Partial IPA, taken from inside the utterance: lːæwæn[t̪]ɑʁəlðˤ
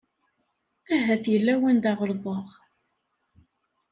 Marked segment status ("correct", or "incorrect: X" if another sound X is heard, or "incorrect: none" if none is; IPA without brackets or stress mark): incorrect: d̪